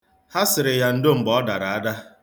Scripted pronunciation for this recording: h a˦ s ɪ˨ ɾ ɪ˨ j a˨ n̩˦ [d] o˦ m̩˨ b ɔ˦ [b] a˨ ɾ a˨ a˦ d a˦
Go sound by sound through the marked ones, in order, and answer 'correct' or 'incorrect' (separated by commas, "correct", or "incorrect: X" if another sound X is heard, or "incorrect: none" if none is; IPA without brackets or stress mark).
correct, incorrect: d